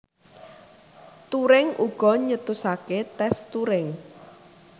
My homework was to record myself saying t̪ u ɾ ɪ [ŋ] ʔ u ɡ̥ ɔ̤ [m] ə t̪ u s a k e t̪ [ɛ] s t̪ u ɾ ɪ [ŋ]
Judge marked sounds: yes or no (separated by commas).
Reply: yes, no, yes, yes